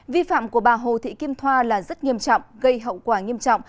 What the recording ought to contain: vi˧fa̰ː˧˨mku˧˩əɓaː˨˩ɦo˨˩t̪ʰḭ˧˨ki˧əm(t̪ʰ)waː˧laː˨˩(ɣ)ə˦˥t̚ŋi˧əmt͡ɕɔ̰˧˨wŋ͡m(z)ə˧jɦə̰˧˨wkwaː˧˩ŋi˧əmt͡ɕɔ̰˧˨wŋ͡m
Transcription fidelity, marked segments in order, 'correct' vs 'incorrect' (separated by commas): correct, incorrect, incorrect